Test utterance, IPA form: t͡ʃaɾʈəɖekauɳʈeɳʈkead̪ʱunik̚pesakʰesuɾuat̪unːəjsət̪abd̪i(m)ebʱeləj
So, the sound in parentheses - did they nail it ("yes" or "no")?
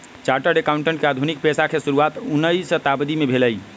yes